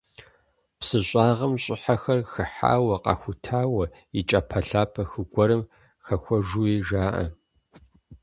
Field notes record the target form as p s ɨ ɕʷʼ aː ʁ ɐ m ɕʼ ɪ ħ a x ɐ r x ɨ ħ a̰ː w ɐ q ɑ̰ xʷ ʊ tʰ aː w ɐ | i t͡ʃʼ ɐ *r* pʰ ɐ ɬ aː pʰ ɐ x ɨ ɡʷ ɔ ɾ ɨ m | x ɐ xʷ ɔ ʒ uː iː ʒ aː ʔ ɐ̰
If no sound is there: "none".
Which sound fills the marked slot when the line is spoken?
none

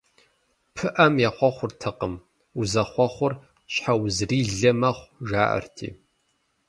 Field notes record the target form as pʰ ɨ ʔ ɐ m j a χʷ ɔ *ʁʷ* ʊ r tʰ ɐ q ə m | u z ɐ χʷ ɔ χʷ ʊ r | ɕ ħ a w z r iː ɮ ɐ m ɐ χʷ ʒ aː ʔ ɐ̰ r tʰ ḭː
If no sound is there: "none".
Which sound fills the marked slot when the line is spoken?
χʷ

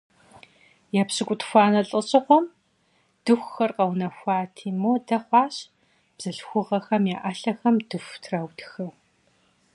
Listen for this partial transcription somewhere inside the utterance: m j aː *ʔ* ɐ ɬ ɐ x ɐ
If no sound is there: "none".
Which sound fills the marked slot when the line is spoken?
ʔ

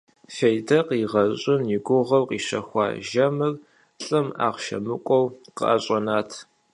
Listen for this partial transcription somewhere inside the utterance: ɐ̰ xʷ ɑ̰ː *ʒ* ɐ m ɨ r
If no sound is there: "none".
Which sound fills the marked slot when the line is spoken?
ʒ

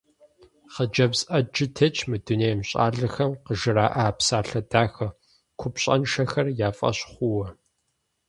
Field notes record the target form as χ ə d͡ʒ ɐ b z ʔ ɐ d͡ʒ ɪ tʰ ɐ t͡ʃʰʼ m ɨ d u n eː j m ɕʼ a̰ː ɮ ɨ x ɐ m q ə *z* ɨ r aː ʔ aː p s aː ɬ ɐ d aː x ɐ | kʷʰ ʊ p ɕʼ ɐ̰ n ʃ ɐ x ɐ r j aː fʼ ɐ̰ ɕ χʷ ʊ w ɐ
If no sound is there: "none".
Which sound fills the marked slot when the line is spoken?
ʒ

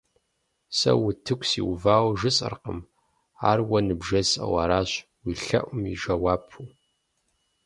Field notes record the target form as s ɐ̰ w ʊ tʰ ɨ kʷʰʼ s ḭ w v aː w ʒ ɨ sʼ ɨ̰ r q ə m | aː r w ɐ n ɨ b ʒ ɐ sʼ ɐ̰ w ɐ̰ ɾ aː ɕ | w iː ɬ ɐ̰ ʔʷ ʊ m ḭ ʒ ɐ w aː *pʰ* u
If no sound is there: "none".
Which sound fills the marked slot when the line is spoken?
pʰ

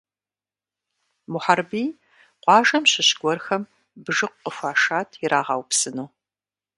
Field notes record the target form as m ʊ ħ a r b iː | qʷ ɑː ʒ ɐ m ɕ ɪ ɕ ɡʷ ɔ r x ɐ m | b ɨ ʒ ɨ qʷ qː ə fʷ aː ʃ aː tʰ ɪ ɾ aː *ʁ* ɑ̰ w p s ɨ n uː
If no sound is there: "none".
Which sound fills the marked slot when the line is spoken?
ʁ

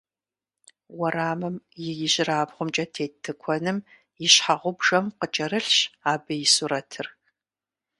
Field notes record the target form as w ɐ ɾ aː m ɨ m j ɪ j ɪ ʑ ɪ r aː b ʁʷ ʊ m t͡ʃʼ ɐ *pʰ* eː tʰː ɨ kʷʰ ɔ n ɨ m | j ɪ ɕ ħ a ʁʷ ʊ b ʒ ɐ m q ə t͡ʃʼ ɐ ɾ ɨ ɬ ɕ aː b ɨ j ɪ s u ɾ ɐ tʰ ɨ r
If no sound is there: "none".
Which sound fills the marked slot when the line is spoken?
tʰ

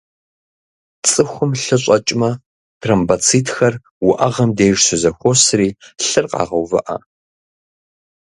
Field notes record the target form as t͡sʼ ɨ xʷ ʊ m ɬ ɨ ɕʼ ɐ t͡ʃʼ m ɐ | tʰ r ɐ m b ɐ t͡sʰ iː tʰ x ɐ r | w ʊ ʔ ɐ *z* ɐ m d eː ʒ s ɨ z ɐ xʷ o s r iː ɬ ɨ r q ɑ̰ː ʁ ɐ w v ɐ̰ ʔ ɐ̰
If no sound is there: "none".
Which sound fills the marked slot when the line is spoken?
ʁ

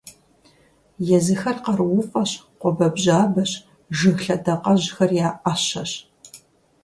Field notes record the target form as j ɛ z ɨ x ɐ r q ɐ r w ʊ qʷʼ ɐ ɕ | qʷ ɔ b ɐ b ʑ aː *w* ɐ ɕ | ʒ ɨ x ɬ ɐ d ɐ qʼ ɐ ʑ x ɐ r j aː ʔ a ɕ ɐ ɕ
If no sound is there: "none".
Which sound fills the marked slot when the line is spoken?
b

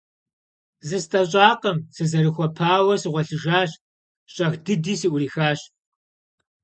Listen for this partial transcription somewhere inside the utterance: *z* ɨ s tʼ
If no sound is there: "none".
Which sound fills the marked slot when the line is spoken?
z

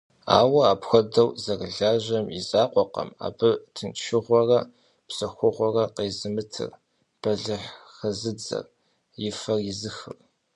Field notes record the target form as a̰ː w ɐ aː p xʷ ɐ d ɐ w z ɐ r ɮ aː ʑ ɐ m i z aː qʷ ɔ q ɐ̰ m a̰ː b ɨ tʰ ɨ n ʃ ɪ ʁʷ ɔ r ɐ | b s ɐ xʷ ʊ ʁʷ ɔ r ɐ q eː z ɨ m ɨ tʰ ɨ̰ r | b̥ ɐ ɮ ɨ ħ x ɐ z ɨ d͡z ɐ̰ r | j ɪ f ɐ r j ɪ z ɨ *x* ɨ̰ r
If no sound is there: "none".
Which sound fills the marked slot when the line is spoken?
x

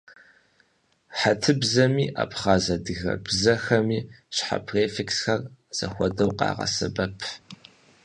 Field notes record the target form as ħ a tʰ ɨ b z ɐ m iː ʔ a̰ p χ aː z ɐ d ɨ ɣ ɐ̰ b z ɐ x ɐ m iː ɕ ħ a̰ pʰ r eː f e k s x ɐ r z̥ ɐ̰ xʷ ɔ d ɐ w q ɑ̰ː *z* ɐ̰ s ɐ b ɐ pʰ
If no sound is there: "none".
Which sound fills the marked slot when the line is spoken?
ʁ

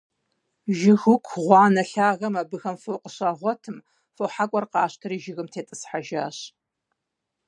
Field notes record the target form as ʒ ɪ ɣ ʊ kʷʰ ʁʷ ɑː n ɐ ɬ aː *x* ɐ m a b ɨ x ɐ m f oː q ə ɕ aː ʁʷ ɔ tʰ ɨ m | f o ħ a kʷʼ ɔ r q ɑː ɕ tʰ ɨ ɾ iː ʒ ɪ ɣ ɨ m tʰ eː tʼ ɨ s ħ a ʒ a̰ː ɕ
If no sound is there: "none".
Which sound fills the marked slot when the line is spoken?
ɣ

